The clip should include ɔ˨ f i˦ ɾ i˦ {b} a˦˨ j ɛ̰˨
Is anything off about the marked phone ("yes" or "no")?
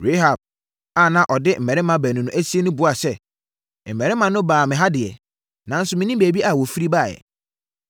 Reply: no